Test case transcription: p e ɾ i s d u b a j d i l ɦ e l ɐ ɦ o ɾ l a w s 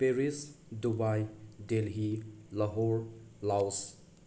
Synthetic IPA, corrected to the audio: p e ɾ i s d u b a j d e l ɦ i l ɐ ɦ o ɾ l a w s